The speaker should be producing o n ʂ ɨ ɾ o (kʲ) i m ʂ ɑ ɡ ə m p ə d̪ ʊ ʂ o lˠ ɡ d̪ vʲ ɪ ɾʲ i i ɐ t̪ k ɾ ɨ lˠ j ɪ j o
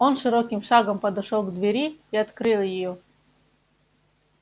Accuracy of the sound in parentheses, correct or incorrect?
correct